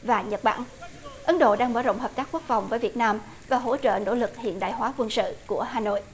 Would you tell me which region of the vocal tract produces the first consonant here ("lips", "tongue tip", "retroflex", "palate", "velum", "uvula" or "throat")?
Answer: lips